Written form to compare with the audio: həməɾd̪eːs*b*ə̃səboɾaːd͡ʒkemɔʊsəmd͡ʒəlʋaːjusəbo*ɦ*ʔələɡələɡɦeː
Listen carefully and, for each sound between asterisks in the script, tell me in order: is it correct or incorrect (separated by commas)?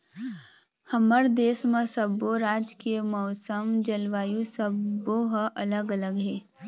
incorrect, correct